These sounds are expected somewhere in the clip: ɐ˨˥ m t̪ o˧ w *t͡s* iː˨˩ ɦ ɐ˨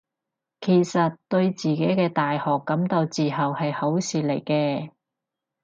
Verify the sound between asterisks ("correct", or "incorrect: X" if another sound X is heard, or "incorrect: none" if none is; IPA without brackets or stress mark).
correct